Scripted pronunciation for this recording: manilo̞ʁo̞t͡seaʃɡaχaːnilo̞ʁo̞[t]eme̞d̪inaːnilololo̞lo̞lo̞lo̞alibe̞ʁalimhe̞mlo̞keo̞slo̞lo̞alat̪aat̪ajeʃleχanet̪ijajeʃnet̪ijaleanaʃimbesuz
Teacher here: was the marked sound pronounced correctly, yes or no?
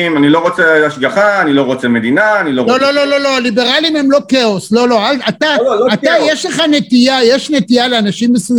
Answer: no